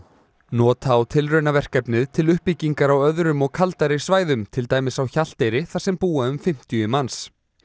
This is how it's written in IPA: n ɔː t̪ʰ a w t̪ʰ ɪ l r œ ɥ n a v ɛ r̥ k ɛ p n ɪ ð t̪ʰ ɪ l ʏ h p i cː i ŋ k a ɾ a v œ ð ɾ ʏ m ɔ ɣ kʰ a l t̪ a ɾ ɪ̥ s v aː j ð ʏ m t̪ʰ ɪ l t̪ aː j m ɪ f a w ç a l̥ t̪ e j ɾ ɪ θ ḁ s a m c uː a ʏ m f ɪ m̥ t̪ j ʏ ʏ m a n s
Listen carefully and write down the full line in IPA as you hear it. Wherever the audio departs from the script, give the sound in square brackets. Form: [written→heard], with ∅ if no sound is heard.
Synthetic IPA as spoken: n ɔː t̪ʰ a w t̪ʰ ɪ l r œ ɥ n a v ɛ r̥ k ɛ p n ɪ ð t̪ʰ ɪ l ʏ h p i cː i ŋ k a ɾ a [v→w] œ ð ɾ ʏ m ɔ ɣ kʰ a l t̪ a ɾ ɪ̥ s v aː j ð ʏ m t̪ʰ ɪ l t̪ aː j m ɪ [f→s] a w ç a l̥ t̪ e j ɾ ɪ θ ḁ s [a→ɛ] m [c→p] uː a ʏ m f ɪ m̥ t̪ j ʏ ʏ m a n s